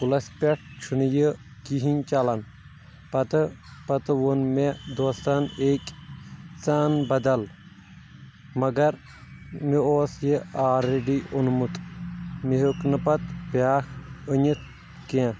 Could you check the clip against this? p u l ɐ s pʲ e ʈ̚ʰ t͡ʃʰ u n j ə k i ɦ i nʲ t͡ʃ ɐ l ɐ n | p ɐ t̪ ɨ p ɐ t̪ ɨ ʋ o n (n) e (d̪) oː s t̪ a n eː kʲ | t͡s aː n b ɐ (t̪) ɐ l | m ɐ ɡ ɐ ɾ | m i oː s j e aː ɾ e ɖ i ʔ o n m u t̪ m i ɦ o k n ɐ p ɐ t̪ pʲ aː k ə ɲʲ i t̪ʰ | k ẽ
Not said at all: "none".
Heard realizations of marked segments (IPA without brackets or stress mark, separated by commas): m, d̪, d̪